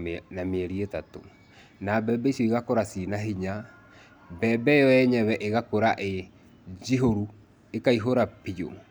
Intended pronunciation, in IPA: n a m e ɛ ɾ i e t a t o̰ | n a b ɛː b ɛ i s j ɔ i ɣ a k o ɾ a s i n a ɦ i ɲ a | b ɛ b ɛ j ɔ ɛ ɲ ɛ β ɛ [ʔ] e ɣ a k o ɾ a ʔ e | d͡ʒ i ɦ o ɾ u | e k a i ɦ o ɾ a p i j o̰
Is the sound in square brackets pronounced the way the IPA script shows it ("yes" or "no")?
yes